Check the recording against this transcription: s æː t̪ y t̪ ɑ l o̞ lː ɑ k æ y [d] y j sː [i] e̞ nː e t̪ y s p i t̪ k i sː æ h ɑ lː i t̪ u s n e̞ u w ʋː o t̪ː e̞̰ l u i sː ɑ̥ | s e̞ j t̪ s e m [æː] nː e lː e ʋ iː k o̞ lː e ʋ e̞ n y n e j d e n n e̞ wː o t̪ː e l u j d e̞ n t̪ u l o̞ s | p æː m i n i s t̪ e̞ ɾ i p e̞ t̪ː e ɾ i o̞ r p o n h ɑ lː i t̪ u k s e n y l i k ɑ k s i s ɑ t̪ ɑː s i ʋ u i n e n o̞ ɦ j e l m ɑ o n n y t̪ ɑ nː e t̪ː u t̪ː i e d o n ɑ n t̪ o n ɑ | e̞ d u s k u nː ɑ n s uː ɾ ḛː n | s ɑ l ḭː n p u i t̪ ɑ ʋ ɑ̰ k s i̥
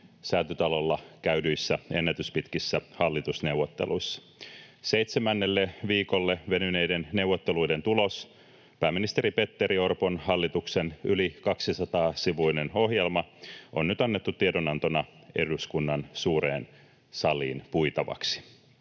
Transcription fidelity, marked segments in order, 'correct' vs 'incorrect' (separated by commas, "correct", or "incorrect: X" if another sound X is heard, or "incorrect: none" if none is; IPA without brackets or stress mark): correct, incorrect: æ, incorrect: æ